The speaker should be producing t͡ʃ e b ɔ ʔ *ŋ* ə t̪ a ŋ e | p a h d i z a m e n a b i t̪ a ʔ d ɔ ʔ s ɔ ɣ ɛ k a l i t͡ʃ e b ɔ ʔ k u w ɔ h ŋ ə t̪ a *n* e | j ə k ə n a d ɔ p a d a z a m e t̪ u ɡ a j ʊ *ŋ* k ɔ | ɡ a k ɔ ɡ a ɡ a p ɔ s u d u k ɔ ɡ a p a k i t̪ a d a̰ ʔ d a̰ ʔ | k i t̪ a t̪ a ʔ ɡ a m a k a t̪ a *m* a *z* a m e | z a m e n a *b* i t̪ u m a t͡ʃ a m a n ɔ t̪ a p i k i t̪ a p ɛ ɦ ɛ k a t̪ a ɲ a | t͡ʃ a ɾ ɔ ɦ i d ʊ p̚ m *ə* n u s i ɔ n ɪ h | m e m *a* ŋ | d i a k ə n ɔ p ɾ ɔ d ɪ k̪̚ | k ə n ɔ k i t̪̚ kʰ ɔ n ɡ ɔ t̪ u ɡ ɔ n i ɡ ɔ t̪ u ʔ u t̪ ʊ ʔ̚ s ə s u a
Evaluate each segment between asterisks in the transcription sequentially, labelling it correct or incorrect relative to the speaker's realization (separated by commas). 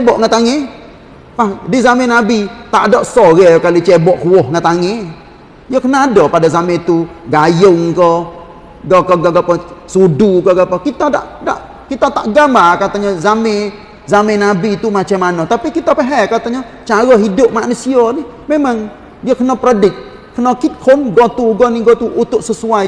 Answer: correct, incorrect, correct, incorrect, correct, correct, incorrect, correct